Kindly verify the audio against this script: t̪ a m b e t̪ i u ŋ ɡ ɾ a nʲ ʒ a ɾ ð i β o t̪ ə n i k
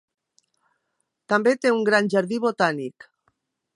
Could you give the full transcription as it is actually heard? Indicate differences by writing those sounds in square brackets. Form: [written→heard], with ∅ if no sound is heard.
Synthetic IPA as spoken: t̪ a m b e t̪ [i→e] u ŋ ɡ ɾ a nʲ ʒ a ɾ ð i β o t̪ [ə→a] n i k

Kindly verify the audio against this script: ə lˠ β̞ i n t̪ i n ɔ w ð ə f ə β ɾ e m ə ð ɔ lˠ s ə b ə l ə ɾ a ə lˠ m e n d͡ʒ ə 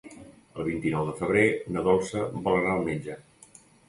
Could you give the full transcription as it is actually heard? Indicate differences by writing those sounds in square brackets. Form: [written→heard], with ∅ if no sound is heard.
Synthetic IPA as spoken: ə lˠ β̞ i n t̪ i n ɔ w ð ə f ə β ɾ e [m→n] ə ð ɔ lˠ s ə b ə l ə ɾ a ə lˠ m e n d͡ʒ ə

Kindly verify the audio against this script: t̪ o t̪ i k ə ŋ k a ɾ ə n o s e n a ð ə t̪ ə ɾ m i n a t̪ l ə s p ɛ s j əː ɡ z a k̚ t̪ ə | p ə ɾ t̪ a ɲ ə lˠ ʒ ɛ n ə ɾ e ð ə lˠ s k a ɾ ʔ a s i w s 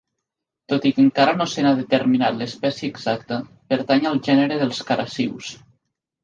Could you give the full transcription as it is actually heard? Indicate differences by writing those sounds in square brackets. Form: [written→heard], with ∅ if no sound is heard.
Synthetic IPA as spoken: t̪ o t̪ i k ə ŋ k a ɾ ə n o s e n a ð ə t̪ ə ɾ m i n a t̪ l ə s p ɛ s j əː ɡ z a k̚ t̪ ə | p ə ɾ t̪ a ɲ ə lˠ ʒ ɛ n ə ɾ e ð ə lˠ s k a ɾ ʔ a s i w s

